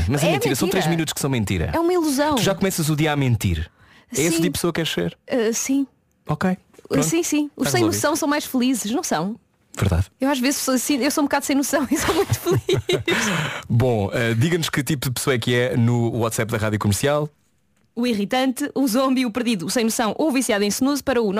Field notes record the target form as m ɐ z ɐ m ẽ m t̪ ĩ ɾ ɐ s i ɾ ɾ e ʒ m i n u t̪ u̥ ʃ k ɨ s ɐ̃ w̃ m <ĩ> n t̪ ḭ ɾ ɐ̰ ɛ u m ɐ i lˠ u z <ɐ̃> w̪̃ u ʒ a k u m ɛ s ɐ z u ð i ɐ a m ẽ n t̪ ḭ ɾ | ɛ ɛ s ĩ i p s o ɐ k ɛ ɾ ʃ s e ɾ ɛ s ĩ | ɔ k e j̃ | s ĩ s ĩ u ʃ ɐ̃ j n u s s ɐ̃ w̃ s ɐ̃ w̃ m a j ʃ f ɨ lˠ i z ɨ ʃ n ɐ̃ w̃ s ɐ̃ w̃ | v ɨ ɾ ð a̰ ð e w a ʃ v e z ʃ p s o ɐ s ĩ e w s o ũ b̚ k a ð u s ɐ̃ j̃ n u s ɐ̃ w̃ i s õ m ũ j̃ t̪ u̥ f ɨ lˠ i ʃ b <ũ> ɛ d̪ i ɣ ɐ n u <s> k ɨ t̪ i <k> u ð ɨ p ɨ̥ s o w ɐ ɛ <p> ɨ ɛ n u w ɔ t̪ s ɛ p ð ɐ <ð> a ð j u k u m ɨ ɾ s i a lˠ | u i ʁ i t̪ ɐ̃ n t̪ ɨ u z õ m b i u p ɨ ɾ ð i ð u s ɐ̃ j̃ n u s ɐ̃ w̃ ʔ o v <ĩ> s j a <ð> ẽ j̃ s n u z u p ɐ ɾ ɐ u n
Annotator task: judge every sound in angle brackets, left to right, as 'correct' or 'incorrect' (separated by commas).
incorrect, correct, incorrect, incorrect, incorrect, incorrect, incorrect, incorrect, correct